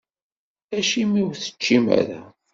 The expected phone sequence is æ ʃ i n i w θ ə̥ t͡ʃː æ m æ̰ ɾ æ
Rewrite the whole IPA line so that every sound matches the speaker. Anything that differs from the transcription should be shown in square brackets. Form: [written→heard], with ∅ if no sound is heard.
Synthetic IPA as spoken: æ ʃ i [n→m] i w θ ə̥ t͡ʃː [æ→i] m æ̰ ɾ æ